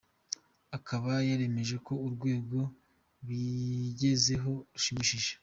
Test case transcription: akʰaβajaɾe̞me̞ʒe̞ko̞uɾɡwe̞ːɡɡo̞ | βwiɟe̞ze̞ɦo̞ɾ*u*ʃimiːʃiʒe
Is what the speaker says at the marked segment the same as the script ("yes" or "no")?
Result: yes